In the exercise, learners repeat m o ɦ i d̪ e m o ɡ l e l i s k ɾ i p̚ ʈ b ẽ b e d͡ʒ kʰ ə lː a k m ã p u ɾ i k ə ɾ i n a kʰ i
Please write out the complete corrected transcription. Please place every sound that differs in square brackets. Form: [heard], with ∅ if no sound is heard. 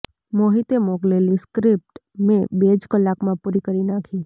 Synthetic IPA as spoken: m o ɦ i [t̪] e m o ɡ l e l i s k ɾ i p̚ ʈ [m] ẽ b e d͡ʒ [k] ə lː a k m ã p u ɾ i k ə ɾ i n a kʰ i